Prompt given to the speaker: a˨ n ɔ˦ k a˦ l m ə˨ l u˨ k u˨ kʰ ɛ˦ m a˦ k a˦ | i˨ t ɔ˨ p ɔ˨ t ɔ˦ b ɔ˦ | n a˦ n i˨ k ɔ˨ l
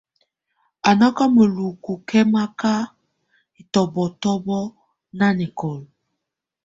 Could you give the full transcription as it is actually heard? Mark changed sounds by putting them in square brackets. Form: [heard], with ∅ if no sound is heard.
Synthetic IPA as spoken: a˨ n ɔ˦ k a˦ [∅] m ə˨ l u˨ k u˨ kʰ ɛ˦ m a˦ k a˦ | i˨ t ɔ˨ [b] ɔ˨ t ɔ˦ b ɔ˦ | n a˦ n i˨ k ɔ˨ l